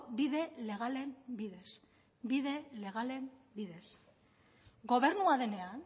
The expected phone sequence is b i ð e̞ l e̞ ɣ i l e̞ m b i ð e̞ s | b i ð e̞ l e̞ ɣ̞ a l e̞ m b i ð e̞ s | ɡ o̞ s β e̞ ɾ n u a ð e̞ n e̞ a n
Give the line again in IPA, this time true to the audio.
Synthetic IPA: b i ð e̞ l e̞ ɣ a l e̞ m b i ð e̞ s | b i ð e̞ l e̞ ɣ̞ a l e̞ m b i ð e̞ s | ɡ o̞ β e̞ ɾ n u a ð e̞ n e̞ a n